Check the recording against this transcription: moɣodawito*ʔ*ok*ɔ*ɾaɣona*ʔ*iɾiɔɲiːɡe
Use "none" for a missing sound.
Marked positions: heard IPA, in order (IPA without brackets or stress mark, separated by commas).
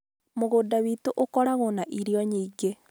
ʔ, ɔ, ʔ